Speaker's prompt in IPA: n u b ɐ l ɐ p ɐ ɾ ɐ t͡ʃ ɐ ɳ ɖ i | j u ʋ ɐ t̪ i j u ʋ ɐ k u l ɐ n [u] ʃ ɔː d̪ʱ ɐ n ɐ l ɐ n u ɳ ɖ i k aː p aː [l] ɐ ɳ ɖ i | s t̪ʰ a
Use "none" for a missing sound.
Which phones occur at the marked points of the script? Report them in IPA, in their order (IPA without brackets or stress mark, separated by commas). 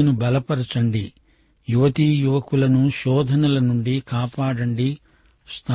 u, ɽ